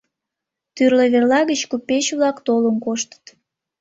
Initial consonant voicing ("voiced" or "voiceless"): voiceless